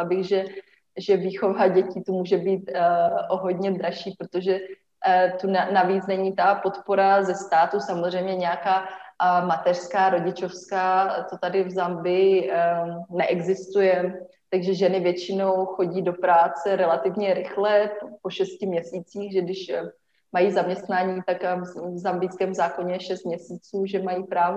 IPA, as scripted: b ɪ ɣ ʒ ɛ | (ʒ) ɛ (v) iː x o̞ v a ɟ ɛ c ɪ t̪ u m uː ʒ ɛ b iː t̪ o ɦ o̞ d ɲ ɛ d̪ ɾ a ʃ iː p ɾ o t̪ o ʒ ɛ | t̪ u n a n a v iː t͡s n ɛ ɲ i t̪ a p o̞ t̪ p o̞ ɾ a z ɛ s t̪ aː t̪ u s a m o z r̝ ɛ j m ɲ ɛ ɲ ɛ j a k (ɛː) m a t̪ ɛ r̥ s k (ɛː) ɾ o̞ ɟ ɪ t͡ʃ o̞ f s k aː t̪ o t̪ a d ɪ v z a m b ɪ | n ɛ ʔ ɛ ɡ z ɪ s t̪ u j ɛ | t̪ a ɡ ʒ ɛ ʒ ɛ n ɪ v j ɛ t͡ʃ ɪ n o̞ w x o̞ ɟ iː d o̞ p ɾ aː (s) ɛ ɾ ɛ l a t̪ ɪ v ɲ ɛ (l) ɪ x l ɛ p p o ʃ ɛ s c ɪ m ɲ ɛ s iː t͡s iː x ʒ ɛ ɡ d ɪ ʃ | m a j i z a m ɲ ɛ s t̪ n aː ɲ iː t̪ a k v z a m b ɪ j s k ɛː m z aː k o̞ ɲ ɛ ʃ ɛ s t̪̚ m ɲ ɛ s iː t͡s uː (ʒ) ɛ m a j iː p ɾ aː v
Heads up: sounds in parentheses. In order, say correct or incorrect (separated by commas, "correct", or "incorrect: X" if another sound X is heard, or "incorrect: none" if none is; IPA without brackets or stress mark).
correct, correct, incorrect: aː, incorrect: aː, incorrect: t͡s, incorrect: ɾ, correct